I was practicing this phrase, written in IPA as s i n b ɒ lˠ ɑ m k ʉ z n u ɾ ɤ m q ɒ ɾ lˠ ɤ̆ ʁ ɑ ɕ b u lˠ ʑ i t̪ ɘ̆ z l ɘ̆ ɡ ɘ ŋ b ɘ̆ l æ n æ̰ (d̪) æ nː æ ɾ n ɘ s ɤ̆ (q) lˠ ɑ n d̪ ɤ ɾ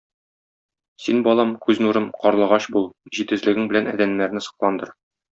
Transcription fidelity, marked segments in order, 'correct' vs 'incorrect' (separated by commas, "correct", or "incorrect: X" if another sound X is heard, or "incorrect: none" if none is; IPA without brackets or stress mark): correct, correct